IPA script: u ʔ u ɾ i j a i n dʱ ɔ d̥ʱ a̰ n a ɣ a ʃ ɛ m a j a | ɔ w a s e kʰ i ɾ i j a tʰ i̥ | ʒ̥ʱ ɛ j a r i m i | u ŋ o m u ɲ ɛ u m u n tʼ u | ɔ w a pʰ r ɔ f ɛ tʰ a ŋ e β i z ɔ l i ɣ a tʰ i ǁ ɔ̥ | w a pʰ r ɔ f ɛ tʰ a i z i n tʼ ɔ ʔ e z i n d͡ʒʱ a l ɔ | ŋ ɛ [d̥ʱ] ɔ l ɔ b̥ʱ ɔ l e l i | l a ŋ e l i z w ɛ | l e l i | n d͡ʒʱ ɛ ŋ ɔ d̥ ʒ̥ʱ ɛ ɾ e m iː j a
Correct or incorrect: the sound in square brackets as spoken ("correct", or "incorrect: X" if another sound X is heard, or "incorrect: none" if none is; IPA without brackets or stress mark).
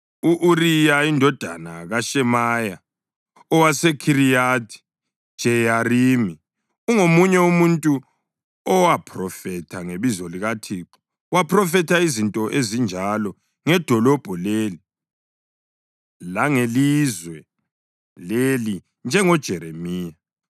correct